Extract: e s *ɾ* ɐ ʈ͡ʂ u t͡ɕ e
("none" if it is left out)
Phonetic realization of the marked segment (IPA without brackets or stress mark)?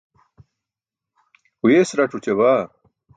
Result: ɾ